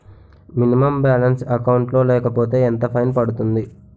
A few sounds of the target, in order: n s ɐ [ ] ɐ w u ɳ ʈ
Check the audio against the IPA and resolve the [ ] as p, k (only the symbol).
k